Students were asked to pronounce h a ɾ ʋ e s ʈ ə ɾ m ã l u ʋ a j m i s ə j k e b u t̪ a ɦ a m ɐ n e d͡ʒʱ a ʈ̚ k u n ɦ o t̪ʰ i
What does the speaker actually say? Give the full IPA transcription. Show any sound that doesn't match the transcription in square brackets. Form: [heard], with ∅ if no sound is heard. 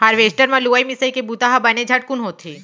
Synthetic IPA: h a ɾ ʋ e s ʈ ə ɾ m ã l u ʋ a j m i s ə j k e b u t̪ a ɦ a [b] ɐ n e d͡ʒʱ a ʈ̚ k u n ɦ o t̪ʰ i